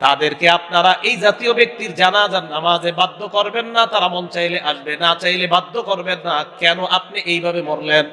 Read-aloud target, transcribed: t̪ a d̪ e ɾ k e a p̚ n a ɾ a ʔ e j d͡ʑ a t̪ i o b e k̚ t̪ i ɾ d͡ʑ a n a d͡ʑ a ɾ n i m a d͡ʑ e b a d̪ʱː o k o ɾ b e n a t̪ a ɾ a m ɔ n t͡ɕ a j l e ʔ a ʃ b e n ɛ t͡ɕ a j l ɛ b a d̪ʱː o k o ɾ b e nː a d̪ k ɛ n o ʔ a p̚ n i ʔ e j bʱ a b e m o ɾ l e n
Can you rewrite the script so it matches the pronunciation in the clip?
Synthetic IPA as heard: t̪ a d̪ e ɾ k e a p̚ n a ɾ a ʔ e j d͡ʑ a t̪ i o b e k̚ t̪ i ɾ d͡ʑ a n a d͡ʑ a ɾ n a m a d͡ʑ e b a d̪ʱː o k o ɾ b e nː a t̪ a ɾ a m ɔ n t͡ɕ a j l e ʔ a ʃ b e n a t͡ɕ a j l e b a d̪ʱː o k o ɾ b e nː a k ɛ n o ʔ a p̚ n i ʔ e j bʱ a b e m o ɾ l e n